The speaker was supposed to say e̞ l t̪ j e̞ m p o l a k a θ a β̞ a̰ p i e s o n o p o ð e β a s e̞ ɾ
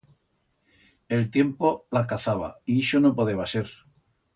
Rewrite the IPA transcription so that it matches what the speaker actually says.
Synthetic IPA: e̞ l t̪ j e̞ m p o l a k a θ a β̞ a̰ i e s o n o p o ð e β a s e̞ ɾ